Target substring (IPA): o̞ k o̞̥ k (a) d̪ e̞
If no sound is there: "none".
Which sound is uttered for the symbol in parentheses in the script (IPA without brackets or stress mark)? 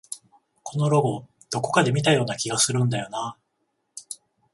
a